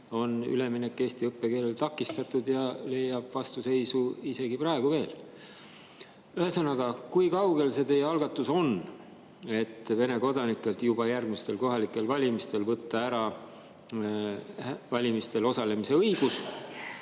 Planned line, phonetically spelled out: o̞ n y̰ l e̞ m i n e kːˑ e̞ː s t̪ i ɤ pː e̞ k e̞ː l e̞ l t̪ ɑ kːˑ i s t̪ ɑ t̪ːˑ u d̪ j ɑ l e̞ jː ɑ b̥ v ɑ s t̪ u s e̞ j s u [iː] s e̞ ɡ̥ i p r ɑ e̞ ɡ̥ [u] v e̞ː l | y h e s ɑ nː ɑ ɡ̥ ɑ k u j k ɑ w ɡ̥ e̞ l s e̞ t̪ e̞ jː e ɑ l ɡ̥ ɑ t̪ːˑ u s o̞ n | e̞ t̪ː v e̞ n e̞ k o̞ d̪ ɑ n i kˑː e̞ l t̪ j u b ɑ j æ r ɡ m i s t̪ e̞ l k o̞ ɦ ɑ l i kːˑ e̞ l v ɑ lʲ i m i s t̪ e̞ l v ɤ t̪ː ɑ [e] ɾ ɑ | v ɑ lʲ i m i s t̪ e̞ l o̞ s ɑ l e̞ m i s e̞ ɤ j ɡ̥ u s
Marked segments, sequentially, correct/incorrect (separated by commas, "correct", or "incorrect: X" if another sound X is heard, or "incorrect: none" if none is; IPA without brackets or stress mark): incorrect: i, correct, incorrect: æ